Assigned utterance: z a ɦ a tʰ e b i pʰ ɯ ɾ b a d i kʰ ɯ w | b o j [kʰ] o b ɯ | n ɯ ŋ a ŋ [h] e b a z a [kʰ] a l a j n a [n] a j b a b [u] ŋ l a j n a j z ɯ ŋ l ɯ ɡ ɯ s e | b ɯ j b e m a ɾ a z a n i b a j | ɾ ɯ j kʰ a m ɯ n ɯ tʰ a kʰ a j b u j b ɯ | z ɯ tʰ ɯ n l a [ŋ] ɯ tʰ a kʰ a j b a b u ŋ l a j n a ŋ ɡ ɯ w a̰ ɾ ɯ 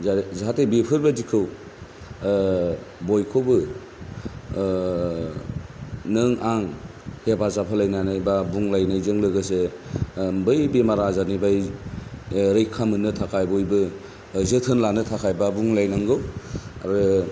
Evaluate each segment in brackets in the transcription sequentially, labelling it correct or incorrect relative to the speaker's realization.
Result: correct, correct, incorrect: pʰ, correct, correct, incorrect: n

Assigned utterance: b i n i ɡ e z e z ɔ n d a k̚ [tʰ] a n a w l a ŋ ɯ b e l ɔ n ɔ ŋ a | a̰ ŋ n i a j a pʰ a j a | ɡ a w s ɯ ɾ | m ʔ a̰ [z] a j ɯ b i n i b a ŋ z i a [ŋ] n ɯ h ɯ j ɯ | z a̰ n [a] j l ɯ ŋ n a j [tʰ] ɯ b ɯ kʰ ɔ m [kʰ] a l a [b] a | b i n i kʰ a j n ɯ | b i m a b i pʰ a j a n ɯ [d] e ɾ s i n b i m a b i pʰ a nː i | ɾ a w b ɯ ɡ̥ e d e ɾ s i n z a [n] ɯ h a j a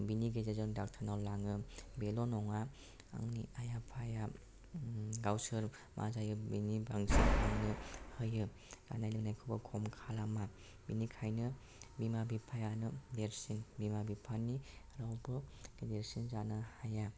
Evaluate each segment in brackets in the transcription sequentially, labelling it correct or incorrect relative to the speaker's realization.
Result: correct, correct, correct, correct, incorrect: kʰ, correct, incorrect: m, correct, correct

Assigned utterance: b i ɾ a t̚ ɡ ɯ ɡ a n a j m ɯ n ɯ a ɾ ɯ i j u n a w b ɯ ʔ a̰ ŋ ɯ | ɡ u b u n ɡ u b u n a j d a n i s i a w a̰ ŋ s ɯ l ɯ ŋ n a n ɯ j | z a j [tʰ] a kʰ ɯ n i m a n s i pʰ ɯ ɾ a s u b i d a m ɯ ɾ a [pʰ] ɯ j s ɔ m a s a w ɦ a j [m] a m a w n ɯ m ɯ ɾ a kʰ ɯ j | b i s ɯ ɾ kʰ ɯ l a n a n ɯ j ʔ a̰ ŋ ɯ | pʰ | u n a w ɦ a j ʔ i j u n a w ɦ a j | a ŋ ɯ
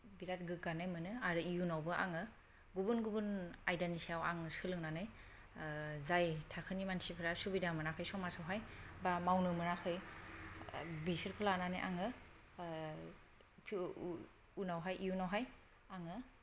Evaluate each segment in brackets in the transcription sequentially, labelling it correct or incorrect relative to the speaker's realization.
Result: correct, incorrect: kʰ, incorrect: b

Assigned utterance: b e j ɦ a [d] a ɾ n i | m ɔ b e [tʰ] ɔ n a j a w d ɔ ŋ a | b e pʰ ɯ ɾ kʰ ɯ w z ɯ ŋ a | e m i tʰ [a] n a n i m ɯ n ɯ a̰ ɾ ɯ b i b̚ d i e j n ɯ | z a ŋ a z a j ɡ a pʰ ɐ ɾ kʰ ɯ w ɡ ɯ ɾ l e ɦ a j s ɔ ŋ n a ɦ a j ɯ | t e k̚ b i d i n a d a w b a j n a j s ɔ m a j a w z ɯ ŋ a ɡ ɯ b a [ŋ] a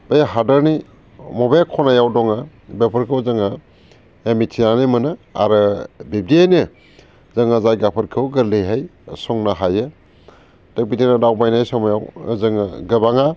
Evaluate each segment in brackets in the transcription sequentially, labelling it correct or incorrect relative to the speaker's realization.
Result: correct, incorrect: kʰ, incorrect: i, correct

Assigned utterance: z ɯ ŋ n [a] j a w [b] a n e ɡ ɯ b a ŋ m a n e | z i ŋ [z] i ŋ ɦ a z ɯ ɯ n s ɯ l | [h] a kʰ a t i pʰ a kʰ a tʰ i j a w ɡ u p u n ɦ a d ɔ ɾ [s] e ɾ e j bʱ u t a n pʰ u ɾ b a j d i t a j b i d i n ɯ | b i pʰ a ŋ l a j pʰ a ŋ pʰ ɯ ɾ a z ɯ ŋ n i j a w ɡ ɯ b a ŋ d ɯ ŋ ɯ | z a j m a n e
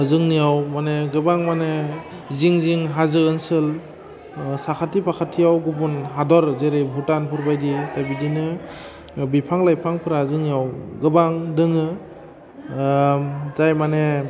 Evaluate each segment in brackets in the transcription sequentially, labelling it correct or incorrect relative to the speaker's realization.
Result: incorrect: i, incorrect: m, correct, incorrect: s, incorrect: z

